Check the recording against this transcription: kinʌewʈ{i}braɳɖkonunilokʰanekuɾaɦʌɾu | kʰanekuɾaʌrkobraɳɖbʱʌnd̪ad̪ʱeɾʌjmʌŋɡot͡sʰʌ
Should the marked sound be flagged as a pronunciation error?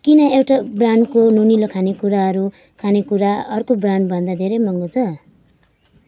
yes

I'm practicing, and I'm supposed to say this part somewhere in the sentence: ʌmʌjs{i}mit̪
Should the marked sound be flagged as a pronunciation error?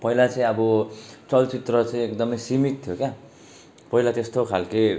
no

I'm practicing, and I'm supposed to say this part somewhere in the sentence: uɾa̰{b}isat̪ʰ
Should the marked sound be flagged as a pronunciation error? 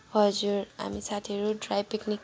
yes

